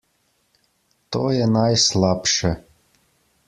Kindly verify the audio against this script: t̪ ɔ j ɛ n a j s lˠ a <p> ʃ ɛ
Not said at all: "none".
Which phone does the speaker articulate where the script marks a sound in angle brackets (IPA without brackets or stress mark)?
p